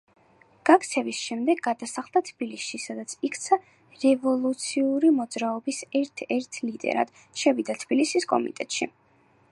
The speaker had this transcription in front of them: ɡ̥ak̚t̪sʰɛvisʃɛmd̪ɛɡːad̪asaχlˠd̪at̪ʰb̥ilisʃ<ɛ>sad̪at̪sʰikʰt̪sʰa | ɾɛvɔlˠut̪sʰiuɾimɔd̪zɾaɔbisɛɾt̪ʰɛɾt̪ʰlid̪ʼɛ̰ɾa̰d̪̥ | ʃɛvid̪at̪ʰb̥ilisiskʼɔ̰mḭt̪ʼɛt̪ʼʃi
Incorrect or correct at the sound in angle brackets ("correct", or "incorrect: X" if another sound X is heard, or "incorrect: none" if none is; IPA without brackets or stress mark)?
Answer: incorrect: i